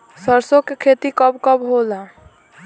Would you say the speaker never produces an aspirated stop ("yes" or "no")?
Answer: no